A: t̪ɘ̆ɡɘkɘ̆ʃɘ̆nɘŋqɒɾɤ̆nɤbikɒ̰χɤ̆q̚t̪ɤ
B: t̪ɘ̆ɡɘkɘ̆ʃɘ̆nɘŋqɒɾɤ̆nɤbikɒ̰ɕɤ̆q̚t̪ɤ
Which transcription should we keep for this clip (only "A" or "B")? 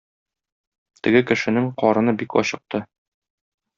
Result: B